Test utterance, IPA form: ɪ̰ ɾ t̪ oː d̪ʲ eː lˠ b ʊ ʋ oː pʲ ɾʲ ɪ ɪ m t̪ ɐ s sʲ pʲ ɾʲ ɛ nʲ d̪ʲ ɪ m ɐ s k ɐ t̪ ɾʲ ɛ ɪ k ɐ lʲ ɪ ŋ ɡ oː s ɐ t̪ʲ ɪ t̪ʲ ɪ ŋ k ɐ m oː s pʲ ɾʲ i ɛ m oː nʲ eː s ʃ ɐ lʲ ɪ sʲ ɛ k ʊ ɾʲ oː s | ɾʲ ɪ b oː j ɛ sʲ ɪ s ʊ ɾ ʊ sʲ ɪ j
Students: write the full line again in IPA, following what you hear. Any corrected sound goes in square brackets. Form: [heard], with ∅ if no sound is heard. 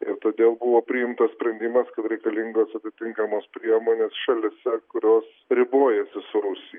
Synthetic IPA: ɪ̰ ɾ t̪ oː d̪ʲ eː lˠ b ʊ ʋ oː pʲ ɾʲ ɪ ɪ m t̪ ɐ s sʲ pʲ ɾʲ ɛ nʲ d̪ʲ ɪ m ɐ s k ɐ t̪ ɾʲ ɛ ɪ k ɐ lʲ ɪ ŋ ɡ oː s ɐ t̪ʲ ɪ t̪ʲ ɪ ŋ k ɐ m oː s pʲ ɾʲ i ɛ m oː nʲ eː s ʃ ɐ lʲ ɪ sʲ ɛ k ʊ ɾʲ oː s | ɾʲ ɪ b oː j ɛ sʲ ɪ s ʊ ɾ ʊ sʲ ɪ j

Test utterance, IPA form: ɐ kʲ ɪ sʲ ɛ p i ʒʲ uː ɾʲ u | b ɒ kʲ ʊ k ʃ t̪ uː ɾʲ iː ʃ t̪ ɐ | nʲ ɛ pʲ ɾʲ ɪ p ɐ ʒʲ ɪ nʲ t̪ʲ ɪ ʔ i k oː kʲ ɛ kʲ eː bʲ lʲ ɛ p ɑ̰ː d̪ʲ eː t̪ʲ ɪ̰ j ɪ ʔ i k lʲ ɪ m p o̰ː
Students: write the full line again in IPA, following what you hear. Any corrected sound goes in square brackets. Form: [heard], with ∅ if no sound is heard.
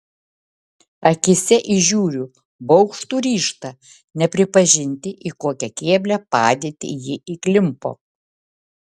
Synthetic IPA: ɐ kʲ ɪ sʲ ɛ [ʔ] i ʒʲ uː ɾʲ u | b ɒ [∅] ʊ k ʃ t̪ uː ɾʲ iː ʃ t̪ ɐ | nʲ ɛ pʲ ɾʲ ɪ p ɐ ʒʲ ɪ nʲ t̪ʲ ɪ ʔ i k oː kʲ ɛ kʲ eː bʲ lʲ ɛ p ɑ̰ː d̪ʲ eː t̪ʲ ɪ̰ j ɪ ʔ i k lʲ ɪ m p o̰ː

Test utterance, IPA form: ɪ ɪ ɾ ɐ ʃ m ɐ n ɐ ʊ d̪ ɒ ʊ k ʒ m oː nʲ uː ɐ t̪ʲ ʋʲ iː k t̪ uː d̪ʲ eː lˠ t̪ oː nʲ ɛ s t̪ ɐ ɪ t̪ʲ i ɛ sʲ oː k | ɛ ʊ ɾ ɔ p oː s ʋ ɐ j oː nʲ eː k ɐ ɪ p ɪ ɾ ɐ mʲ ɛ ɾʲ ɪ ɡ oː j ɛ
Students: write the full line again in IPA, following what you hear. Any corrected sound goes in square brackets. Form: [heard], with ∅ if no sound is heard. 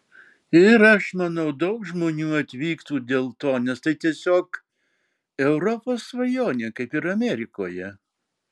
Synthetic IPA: ɪ ɪ ɾ ɐ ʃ m ɐ n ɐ ʊ d̪ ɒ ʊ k ʒ m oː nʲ uː ɐ t̪ʲ ʋʲ iː k t̪ uː d̪ʲ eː lˠ t̪ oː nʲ ɛ s t̪ ɐ ɪ t̪ʲ i ɛ sʲ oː k | ɛ ʊ ɾ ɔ p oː s ʋ ɐ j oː nʲ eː k ɐ ɪ p ɪ ɾ ɐ mʲ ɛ ɾʲ ɪ [k] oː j ɛ

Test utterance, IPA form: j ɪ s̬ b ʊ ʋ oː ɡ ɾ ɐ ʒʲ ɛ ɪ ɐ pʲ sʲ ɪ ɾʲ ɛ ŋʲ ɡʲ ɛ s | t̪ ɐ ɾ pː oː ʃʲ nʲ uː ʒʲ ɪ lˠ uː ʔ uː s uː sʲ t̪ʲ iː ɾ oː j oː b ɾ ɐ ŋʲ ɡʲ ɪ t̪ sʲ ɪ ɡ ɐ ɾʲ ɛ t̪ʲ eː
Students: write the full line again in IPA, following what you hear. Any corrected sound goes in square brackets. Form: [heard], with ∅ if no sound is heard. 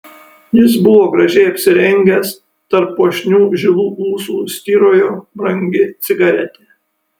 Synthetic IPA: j ɪ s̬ b ʊ ʋ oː ɡ ɾ ɐ ʒʲ ɛ ɪ ɐ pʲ sʲ ɪ ɾʲ ɛ ŋʲ ɡʲ ɛ s | t̪ ɐ ɾ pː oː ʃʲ nʲ uː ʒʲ ɪ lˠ uː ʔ uː s uː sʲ t̪ʲ iː ɾ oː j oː b ɾ ɐ ŋʲ ɡʲ ɪ t̪ sʲ ɪ ɡ ɐ ɾʲ ɛ t̪ʲ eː

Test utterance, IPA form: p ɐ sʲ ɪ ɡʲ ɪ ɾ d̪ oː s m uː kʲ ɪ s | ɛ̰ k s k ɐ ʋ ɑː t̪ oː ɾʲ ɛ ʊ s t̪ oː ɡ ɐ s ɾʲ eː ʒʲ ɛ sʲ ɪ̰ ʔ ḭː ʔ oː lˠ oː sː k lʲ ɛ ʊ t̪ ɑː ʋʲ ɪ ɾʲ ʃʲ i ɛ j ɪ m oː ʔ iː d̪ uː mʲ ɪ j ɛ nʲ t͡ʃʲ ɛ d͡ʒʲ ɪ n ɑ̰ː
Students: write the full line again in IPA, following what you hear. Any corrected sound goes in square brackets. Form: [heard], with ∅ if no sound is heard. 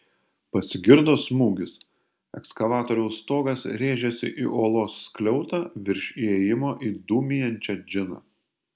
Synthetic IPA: p ɐ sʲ ɪ ɡʲ ɪ ɾ d̪ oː s m uː [ɡʲ] ɪ s | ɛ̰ k s k ɐ ʋ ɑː t̪ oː ɾʲ ɛ ʊ s t̪ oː ɡ ɐ s ɾʲ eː ʒʲ ɛ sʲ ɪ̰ ʔ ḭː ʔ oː lˠ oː sː k lʲ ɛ ʊ t̪ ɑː ʋʲ ɪ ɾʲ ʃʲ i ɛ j ɪ m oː ʔ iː d̪ uː mʲ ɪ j ɛ nʲ t͡ʃʲ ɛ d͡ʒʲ ɪ n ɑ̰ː

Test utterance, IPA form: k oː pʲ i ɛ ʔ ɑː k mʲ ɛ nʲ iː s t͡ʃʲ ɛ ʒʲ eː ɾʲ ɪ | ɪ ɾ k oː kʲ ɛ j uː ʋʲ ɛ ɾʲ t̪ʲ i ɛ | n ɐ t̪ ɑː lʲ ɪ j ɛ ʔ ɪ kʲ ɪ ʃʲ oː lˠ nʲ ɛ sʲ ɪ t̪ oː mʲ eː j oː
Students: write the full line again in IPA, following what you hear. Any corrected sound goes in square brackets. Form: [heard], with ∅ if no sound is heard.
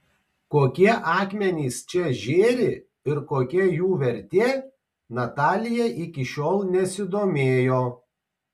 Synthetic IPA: k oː [kʲ] i ɛ ʔ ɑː k mʲ ɛ nʲ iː s t͡ʃʲ ɛ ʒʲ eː ɾʲ ɪ | ɪ ɾ k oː kʲ ɛ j uː ʋʲ ɛ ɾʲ t̪ʲ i ɛ | n ɐ t̪ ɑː lʲ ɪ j ɛ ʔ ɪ kʲ ɪ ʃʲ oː lˠ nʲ ɛ sʲ ɪ [d̪] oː mʲ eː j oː

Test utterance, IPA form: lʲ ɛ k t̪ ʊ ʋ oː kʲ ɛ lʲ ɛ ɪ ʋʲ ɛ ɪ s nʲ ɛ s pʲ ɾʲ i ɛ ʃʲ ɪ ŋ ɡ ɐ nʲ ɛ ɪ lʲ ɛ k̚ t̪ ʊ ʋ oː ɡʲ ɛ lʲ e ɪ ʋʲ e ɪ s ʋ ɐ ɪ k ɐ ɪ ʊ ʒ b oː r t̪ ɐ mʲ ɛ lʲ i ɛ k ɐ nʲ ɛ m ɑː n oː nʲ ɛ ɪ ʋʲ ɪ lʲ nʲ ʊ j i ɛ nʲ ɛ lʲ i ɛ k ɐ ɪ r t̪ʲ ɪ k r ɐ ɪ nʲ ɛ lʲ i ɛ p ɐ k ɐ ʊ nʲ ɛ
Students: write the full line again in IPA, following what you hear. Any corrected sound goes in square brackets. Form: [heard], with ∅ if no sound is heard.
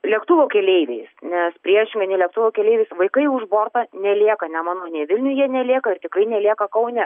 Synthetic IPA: lʲ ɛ k t̪ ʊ ʋ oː kʲ ɛ lʲ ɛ ɪ ʋʲ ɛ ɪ s nʲ ɛ s pʲ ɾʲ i ɛ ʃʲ ɪ ŋ ɡ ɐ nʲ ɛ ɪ lʲ ɛ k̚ t̪ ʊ ʋ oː [kʲ] ɛ lʲ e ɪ ʋʲ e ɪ s ʋ ɐ ɪ k ɐ ɪ ʊ ʒ b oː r t̪ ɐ [nʲ] ɛ lʲ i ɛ k ɐ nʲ ɛ m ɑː n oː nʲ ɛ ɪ ʋʲ ɪ lʲ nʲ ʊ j i ɛ nʲ ɛ lʲ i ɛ k ɐ ɪ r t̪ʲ ɪ k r ɐ ɪ nʲ ɛ lʲ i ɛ [k] ɐ k ɐ ʊ nʲ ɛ

